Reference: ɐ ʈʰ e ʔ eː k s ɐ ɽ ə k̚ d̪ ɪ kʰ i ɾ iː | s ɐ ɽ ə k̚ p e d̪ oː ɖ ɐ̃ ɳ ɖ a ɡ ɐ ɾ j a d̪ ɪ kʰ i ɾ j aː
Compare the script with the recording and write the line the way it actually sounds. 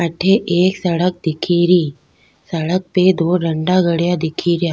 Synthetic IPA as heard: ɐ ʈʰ e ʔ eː k s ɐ ɽ ə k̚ d̪ ɪ kʰ i ɾ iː | s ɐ ɽ ə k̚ p e d̪ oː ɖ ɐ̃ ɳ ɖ a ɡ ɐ ɽ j a d̪ ɪ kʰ i ɾ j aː